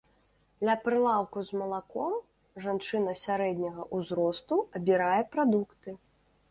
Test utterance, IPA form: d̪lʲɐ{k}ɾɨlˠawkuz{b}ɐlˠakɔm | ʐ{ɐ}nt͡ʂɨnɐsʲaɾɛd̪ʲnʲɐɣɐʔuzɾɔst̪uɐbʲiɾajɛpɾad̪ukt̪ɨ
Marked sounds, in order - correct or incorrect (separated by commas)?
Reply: incorrect, incorrect, incorrect